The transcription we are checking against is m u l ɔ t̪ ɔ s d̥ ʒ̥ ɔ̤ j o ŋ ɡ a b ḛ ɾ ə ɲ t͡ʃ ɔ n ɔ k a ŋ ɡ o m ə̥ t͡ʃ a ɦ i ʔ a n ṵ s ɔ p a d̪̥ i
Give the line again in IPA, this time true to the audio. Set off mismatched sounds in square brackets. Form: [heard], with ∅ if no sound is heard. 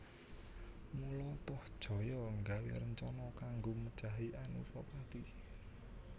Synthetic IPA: m u l ɔ t̪ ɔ [h] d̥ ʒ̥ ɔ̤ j [ɔ] ŋ ɡ a [w] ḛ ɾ ə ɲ t͡ʃ ɔ n ɔ k a ŋ ɡ o m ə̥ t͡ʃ a ɦ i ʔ a n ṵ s ɔ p a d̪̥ i

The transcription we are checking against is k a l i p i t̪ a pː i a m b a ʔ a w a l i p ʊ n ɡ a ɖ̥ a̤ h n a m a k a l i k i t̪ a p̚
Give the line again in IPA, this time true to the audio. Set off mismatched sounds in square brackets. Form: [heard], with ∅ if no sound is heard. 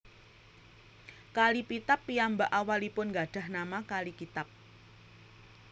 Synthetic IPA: k a l i p i t̪ a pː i a m b a ʔ a w a l i p ʊ n ɡ a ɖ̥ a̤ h n a m a k a l i k i t̪ a p̚

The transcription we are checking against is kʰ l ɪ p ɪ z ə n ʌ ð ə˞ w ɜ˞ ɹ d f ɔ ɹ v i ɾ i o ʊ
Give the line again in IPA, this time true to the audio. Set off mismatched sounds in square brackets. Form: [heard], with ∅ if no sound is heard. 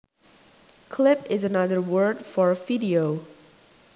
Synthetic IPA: kʰ l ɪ p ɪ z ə n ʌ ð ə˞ w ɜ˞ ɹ d f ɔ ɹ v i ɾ i o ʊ

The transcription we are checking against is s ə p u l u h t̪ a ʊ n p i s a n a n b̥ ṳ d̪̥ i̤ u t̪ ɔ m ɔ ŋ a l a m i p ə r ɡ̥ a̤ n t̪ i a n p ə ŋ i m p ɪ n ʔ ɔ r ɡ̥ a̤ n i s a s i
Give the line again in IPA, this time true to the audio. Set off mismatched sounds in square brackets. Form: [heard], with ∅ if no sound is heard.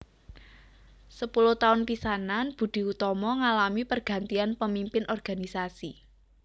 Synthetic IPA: s ə p u l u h t̪ a ʊ n p i s a n a n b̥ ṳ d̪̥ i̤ u t̪ ɔ m ɔ ŋ a l a m i p ə r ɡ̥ a̤ n t̪ i a n p ə [m] i m p ɪ n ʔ ɔ r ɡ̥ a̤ n i s a s i

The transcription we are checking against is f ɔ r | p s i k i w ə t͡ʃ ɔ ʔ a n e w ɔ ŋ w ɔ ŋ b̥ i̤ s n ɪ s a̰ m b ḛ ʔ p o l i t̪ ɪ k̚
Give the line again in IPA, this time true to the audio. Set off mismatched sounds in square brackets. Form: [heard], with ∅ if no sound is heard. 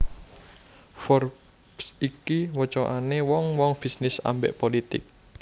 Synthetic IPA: f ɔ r | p s i k i w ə t͡ʃ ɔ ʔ a n e w ɔ ŋ w ɔ ŋ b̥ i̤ s n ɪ s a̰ m b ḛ ʔ p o l i t̪ ɪ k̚

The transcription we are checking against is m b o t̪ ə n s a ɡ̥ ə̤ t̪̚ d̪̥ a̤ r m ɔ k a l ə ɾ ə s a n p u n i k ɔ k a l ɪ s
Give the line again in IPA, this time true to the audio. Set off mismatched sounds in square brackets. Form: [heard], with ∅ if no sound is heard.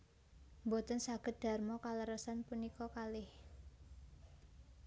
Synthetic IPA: m b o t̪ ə n s a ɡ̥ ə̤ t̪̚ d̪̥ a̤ r m ɔ k a l ə ɾ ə s a n p u n i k ɔ k a l ɪ [h]

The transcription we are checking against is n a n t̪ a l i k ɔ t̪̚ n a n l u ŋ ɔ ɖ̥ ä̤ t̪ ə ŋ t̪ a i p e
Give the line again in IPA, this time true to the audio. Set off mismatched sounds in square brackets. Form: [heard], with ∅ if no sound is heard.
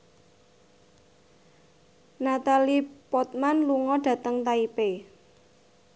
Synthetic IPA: n a [∅] t̪ a l i [p] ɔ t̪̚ [m] a n l u ŋ ɔ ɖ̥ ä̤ t̪ ə ŋ t̪ a i p e

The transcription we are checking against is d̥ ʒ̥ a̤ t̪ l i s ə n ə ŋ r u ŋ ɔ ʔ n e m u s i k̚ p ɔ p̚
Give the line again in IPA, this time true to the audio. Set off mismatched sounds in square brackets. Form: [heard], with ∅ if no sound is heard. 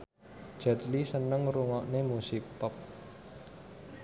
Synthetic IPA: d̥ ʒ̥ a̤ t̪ l i s ə n ə ŋ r u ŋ ɔ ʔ n e m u s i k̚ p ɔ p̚

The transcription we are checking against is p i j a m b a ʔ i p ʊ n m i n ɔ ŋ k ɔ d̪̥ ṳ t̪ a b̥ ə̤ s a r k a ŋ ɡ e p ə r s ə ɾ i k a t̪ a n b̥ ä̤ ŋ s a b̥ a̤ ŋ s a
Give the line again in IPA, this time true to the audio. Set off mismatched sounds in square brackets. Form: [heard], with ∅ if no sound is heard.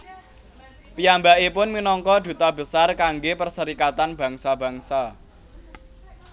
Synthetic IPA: p i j a m b a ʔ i p ʊ n m i n ɔ ŋ k ɔ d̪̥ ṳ t̪ a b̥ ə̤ s a r k a ŋ ɡ e p ə r s ə ɾ i k a t̪ a n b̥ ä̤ ŋ s a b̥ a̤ ŋ s a

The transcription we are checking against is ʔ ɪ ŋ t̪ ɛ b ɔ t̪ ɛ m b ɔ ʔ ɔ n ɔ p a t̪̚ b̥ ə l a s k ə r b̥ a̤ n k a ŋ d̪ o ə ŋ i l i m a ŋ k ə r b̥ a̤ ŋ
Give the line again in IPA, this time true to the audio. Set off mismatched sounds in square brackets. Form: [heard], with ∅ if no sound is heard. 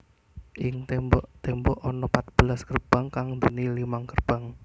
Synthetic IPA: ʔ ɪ ŋ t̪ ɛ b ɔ t̪ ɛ m b ɔ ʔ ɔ n ɔ p a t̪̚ b̥ ə l a s k ə r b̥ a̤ [ŋ] k a ŋ d̪ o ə [n] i l i m a ŋ k ə r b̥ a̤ ŋ

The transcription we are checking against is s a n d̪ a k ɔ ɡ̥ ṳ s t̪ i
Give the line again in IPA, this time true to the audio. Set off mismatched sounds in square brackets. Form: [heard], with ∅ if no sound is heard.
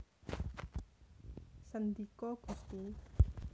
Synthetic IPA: s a n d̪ [i] k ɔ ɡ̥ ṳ s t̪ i

